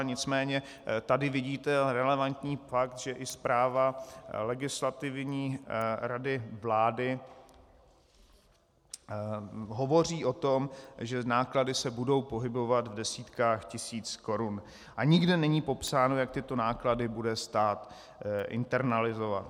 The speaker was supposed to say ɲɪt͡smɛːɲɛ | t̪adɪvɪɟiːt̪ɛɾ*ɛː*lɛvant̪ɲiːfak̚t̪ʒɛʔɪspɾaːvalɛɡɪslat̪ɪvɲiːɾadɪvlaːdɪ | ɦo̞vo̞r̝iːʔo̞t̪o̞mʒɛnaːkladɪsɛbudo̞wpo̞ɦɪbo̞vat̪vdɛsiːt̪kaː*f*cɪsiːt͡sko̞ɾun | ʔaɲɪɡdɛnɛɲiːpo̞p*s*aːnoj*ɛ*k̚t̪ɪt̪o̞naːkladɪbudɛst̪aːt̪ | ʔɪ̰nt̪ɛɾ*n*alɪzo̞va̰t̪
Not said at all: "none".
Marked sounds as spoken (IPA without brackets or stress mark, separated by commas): ɛ, x, s, a, n